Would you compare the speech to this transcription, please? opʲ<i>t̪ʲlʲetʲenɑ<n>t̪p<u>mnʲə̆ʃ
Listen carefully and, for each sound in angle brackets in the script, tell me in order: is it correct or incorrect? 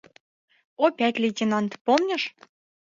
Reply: incorrect: æ, correct, incorrect: o

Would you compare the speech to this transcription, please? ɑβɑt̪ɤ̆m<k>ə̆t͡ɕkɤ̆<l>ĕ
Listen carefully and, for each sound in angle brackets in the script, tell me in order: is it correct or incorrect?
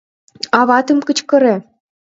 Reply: correct, incorrect: ɾ

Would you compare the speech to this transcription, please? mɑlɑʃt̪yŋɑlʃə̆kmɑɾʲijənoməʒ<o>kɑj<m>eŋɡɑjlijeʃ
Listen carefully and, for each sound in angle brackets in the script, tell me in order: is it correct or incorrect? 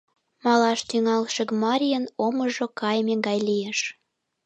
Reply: correct, correct

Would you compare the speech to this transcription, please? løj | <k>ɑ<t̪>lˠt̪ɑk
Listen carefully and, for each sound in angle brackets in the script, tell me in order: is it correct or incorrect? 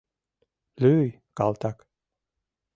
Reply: correct, incorrect: none

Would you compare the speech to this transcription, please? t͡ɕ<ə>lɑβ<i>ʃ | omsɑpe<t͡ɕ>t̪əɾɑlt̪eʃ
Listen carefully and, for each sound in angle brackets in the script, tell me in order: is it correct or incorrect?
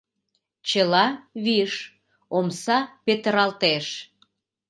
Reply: correct, correct, incorrect: none

